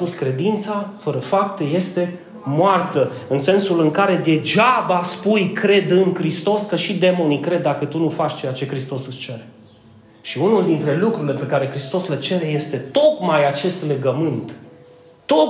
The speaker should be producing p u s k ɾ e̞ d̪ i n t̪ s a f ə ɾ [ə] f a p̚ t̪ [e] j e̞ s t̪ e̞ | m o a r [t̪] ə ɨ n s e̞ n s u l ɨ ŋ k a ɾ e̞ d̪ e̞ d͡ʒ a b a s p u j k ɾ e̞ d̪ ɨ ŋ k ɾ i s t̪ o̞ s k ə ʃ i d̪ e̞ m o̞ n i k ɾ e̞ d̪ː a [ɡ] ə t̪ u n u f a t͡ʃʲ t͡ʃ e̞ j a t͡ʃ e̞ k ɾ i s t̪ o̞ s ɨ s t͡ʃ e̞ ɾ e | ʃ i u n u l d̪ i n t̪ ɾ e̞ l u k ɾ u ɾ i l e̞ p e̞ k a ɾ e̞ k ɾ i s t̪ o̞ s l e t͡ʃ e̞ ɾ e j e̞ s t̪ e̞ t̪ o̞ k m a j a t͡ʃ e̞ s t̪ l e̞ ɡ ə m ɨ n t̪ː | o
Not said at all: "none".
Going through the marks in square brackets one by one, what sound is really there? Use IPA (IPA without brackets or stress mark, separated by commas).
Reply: ə, e, t̪, k